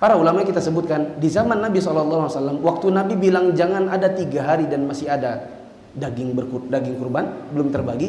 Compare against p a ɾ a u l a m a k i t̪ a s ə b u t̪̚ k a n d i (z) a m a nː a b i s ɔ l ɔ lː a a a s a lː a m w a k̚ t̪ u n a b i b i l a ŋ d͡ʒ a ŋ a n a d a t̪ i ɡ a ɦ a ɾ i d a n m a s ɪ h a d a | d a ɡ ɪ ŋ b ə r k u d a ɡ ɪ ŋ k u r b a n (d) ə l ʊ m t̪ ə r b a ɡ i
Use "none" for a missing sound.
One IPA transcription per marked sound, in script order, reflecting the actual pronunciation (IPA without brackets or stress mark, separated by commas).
z, b